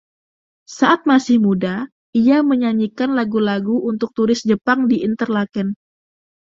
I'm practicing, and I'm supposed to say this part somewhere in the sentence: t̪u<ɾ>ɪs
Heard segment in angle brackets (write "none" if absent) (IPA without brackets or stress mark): ɾ